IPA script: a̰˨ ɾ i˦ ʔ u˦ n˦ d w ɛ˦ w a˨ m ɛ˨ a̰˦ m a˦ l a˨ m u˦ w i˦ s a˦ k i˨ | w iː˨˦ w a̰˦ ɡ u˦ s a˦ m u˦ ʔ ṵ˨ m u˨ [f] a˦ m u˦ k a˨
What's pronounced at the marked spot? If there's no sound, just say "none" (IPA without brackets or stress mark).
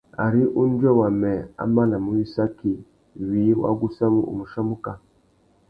ʃ